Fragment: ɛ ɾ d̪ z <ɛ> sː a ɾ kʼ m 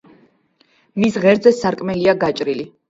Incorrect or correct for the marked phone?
correct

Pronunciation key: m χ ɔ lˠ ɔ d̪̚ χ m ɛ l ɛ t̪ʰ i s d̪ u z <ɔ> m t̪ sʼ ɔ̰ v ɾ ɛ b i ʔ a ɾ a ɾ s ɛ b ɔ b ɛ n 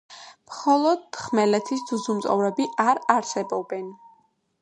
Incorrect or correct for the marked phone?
incorrect: u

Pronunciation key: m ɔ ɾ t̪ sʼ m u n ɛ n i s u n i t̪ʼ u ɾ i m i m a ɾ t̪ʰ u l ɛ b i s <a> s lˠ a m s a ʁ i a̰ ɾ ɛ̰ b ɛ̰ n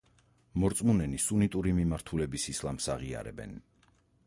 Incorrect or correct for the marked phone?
incorrect: i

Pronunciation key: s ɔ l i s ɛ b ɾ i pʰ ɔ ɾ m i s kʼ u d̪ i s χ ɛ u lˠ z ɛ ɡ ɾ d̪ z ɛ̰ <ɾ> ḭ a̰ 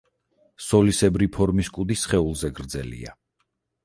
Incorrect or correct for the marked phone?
incorrect: l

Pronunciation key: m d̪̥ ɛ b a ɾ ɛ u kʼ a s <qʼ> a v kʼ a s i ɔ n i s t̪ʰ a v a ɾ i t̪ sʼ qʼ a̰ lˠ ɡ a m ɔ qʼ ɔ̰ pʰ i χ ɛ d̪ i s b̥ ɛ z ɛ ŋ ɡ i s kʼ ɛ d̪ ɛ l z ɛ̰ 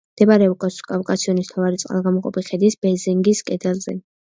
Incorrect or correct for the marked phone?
incorrect: kʼ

